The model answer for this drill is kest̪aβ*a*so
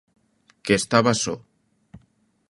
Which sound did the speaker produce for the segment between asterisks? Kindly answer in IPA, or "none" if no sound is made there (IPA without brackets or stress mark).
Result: a